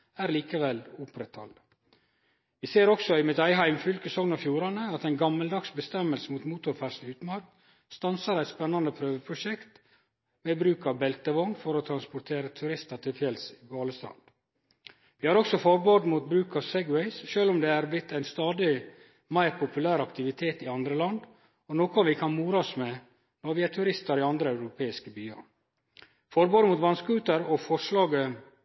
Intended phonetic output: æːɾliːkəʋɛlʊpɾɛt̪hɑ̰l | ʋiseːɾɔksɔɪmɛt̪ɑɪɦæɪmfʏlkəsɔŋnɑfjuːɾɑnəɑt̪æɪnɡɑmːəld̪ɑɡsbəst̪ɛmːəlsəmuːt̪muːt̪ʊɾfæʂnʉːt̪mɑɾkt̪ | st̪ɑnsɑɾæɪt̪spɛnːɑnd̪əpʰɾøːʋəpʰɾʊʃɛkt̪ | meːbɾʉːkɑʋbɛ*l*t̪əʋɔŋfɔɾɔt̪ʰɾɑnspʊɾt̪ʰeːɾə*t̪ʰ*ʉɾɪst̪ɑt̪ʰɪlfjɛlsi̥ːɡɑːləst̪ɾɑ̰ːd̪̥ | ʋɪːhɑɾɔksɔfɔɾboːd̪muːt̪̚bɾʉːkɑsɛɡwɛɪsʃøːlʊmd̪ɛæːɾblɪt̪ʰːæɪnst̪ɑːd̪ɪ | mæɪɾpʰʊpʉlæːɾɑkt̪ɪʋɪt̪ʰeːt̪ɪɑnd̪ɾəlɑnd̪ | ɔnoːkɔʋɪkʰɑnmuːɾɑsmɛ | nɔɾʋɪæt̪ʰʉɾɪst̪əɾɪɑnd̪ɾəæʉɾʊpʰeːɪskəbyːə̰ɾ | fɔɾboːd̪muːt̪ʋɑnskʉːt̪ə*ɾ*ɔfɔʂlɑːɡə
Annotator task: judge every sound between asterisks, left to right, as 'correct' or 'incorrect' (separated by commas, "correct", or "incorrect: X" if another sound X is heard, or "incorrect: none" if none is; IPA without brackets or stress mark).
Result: correct, correct, correct